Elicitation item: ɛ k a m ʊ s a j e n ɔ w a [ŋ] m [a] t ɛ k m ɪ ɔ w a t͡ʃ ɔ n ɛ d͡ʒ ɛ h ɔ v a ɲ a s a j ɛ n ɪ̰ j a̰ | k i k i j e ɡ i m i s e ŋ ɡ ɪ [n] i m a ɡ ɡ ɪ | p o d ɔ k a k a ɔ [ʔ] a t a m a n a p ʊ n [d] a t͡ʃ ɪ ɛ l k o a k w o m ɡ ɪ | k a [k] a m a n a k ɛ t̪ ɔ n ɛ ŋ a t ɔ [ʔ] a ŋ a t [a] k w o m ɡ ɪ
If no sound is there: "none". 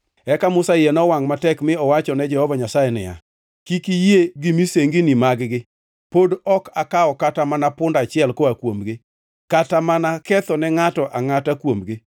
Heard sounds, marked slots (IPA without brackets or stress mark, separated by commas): ŋ, a, n, k, d, t, ʔ, a